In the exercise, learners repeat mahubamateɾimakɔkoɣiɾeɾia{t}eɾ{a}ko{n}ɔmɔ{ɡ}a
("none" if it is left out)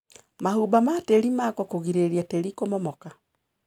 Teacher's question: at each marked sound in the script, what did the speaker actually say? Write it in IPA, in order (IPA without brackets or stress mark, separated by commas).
t, i, m, k